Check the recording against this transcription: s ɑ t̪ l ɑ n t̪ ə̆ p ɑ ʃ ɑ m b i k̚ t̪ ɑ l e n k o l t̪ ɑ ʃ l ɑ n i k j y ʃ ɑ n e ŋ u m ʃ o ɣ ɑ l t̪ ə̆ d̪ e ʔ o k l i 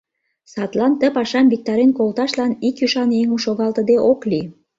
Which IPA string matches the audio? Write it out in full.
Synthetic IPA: s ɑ t̪ l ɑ n t̪ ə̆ p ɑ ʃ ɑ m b i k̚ t̪ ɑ ɾ e n k o l t̪ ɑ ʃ l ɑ n i k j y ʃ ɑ n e ŋ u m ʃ o ɣ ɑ l t̪ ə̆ d̪ e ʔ o k l i